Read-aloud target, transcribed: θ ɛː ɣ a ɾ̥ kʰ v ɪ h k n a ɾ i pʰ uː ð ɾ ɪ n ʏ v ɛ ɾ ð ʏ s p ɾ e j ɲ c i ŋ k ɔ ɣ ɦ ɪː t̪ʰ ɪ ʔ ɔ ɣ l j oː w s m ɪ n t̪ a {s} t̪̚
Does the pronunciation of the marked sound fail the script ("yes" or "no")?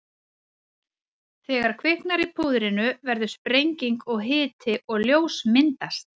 no